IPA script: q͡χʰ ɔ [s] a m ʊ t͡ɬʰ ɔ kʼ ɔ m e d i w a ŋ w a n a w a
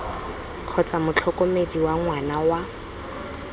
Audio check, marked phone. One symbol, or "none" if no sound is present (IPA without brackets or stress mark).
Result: t͡s